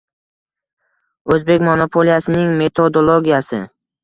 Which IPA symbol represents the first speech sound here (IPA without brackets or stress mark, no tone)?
ɵ